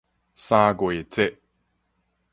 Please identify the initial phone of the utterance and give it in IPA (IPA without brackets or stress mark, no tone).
s